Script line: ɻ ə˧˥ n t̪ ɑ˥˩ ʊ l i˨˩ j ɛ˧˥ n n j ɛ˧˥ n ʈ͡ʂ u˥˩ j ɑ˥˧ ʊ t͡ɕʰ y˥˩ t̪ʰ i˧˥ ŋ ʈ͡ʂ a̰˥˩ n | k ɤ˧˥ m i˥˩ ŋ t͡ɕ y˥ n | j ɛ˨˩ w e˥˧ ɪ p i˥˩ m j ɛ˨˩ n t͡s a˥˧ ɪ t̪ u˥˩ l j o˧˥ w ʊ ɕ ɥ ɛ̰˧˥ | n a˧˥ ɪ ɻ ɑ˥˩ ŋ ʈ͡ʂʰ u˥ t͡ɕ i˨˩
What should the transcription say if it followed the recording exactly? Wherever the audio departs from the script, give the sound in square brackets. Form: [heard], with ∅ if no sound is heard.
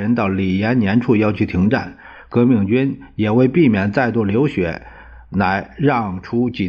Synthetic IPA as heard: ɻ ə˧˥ n t̪ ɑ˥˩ ʊ l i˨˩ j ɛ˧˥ n n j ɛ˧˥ n [ʈ͡ʂʰ] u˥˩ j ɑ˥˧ ʊ t͡ɕʰ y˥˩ t̪ʰ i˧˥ ŋ ʈ͡ʂ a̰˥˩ n | k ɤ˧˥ m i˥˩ ŋ t͡ɕ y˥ n | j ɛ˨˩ w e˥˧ ɪ p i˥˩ m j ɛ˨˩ n t͡s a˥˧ ɪ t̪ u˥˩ l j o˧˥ [∅] ʊ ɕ ɥ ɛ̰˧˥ | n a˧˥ ɪ ɻ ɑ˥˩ ŋ ʈ͡ʂʰ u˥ t͡ɕ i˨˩